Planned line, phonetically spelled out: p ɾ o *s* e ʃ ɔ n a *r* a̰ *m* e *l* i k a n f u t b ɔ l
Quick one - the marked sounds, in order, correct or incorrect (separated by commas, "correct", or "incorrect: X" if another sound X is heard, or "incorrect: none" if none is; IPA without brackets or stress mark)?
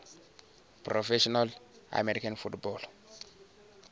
incorrect: f, incorrect: l, correct, incorrect: ɾ